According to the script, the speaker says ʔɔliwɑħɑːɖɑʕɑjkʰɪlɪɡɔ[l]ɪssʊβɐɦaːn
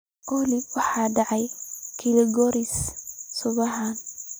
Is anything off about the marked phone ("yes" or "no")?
yes